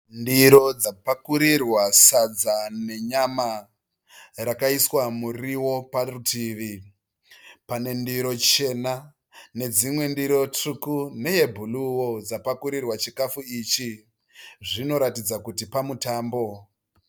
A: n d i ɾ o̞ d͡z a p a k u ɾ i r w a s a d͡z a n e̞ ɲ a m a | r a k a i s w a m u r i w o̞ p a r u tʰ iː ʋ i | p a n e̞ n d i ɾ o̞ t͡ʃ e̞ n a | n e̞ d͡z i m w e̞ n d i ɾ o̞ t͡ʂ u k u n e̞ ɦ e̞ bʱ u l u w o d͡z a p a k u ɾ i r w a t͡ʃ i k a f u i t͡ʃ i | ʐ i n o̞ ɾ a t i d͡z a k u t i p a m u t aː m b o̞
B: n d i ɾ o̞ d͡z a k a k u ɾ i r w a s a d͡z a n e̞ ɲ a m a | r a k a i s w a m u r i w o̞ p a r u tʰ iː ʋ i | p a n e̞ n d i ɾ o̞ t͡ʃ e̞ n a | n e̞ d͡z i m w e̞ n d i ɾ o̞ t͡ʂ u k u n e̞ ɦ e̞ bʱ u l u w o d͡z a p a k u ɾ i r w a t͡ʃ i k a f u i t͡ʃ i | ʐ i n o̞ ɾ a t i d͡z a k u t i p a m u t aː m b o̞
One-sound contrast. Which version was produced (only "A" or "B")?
A